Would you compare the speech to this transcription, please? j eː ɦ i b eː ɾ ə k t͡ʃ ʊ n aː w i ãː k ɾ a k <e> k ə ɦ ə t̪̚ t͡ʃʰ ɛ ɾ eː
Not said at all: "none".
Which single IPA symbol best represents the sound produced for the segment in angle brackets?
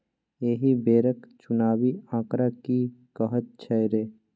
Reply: i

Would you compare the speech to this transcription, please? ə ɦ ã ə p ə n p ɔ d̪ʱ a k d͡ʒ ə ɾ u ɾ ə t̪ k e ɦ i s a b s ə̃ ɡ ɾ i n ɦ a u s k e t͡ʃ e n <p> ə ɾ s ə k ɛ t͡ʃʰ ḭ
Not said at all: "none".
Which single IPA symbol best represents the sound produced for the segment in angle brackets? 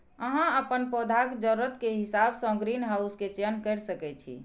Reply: k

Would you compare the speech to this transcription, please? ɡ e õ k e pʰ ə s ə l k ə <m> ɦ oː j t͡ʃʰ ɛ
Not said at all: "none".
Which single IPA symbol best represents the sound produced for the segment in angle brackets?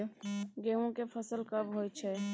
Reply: b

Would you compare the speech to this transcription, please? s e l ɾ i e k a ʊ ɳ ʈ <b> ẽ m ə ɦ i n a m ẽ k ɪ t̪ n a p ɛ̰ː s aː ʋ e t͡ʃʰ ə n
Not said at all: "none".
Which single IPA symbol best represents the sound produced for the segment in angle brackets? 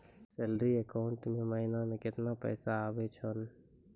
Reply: m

